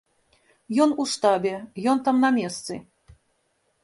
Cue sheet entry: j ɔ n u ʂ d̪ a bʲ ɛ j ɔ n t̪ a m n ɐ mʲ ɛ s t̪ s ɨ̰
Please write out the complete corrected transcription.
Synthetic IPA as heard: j ɔ n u ʂ t̪ a bʲ ɛ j ɔ n t̪ a m n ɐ mʲ ɛ s t̪ s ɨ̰